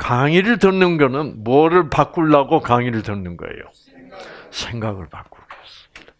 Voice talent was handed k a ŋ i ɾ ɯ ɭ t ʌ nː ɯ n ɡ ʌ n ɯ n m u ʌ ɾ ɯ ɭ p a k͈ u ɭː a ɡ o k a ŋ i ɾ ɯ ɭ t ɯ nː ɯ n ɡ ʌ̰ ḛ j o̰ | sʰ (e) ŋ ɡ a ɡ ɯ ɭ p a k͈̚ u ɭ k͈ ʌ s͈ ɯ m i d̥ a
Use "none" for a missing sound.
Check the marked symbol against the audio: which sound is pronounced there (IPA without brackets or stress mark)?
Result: e